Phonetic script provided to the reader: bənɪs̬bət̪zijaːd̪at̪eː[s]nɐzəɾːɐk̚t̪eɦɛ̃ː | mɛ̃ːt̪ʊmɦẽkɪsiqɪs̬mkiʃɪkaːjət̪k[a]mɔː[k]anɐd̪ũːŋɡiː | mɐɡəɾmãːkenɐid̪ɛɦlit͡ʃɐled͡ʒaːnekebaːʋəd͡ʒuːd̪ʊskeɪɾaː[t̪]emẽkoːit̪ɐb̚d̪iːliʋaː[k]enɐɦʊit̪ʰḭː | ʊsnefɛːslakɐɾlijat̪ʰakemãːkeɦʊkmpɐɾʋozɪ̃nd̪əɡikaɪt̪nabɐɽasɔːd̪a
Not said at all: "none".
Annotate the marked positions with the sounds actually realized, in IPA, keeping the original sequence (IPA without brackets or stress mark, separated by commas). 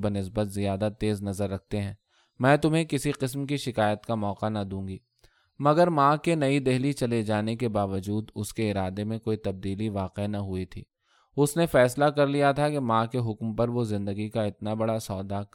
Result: z, a, q, d̪, q